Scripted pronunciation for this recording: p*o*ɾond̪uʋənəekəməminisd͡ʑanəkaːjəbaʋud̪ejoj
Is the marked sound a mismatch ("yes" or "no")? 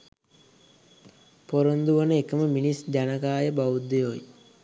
no